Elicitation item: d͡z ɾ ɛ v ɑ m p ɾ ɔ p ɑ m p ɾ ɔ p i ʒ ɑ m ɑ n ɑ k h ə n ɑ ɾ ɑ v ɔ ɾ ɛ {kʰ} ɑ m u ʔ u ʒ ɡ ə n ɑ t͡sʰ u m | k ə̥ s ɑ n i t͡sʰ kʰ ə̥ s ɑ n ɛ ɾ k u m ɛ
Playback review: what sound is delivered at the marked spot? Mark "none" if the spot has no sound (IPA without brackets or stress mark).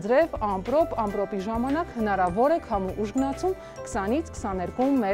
kʰ